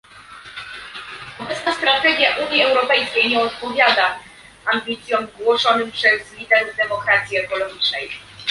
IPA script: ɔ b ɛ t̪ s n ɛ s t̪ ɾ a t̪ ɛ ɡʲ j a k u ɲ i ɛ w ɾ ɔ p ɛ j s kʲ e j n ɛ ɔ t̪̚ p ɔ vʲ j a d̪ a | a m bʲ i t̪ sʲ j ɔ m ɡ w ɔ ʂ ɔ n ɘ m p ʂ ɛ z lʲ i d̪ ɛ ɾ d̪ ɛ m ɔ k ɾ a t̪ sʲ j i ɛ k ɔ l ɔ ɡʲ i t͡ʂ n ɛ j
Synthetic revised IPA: ɔ b ɛ t̪ s n a s t̪ ɾ a t̪ ɛ ɡʲ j a ʔ u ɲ i ɛ w ɾ ɔ p ɛ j s kʲ e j ɲ ɛ ɔ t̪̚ p ɔ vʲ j a d̪ a | a m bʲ i t̪ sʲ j ɔ m ɡ w ɔ ʂ ɔ n ɘ m p ʂ ɛ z lʲ i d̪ ɛ ɾ d̪ ɛ m ɔ k ɾ a t̪ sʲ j i ɛ k ɔ l ɔ ɡʲ i t͡ʂ n ɛ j